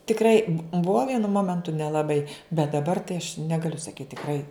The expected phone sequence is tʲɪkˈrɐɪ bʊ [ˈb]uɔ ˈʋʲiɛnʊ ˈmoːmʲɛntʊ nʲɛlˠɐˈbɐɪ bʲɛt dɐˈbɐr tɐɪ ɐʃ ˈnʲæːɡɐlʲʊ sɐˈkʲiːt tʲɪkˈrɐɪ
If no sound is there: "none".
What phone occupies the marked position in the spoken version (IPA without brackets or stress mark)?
b